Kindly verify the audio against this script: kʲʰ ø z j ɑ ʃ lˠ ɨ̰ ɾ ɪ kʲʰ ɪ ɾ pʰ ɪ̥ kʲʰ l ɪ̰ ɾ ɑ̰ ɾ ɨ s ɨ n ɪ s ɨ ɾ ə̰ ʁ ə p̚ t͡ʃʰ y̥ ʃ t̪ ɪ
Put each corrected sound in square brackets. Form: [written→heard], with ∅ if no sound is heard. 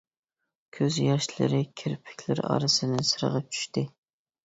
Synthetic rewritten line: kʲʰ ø z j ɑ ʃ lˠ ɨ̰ ɾ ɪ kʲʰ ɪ ɾ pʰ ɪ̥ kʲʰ l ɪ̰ ɾ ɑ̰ ɾ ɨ s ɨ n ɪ s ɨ ɾ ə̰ ʁ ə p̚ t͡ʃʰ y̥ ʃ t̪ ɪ